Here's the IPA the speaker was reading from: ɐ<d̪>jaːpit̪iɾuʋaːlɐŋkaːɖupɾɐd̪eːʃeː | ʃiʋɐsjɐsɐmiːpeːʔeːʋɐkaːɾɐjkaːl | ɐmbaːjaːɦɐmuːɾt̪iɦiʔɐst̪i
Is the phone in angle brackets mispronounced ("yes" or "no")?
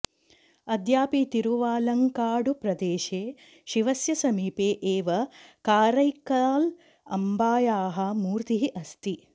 no